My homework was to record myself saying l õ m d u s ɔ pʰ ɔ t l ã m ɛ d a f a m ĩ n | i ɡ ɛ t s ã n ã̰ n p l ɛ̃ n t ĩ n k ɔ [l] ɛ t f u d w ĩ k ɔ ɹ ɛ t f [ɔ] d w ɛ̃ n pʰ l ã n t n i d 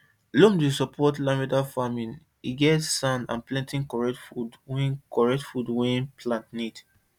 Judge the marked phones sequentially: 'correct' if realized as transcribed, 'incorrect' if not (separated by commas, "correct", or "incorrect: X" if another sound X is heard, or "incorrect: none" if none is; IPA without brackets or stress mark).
incorrect: ɹ, incorrect: u